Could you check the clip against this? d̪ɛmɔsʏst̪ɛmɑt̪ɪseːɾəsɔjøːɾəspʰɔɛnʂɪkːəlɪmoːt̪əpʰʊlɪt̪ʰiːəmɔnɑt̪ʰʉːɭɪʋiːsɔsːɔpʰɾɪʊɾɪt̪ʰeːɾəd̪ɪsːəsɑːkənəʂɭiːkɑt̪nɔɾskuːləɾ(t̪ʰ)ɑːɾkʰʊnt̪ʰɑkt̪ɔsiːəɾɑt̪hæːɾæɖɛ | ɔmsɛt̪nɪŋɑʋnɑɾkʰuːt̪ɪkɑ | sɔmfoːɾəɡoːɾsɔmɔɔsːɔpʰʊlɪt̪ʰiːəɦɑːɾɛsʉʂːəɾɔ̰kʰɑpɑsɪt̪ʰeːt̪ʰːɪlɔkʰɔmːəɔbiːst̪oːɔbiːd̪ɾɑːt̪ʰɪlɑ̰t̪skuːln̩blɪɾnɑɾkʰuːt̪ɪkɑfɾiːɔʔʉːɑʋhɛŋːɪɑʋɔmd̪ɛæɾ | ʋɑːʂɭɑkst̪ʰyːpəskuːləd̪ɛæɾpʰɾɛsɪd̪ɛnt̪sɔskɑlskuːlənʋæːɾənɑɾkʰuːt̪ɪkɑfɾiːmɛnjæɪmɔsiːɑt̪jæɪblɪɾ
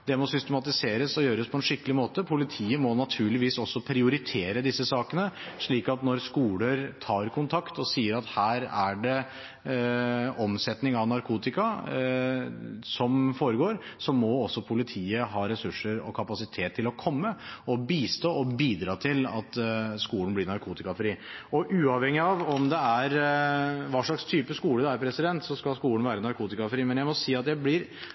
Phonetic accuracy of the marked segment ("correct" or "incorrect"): correct